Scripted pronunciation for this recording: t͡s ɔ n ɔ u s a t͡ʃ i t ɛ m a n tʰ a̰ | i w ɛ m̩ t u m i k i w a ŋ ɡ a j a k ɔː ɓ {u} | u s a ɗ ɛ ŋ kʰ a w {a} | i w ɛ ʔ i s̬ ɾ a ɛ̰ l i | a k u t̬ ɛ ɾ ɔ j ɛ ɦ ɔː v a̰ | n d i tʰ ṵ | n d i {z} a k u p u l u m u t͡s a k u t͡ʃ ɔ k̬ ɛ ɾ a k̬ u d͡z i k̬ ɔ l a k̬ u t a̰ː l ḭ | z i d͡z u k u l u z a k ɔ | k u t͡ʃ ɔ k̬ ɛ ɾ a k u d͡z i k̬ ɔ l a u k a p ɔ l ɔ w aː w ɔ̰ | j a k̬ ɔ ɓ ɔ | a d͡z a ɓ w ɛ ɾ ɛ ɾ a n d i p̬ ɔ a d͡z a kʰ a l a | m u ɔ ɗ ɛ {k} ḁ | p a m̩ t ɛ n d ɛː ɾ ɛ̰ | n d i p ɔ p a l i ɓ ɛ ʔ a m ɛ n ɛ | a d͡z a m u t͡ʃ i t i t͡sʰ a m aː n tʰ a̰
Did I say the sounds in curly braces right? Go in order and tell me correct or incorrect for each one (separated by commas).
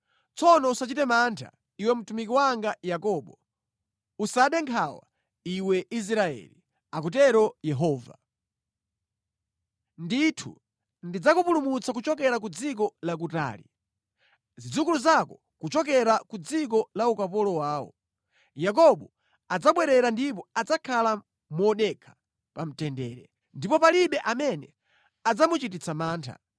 incorrect, correct, incorrect, incorrect